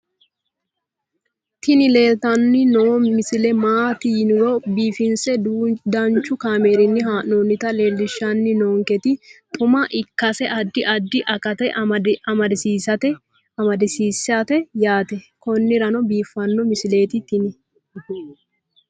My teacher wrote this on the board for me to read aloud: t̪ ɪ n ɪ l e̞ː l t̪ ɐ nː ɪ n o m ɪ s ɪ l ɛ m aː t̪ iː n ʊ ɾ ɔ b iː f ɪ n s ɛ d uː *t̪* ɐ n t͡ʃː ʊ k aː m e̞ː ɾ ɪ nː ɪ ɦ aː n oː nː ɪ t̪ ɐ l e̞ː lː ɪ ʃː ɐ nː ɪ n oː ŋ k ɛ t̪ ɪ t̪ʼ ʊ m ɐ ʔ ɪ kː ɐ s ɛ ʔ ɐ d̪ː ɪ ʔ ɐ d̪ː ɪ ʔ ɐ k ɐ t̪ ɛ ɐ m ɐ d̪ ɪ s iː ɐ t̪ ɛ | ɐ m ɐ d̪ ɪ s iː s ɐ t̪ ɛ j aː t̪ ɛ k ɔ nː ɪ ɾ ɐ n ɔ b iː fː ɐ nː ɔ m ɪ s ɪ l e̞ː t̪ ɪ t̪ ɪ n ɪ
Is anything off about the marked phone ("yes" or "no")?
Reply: yes